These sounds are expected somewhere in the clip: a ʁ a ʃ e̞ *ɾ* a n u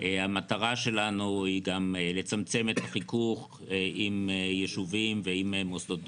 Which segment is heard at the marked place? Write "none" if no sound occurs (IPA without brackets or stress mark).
l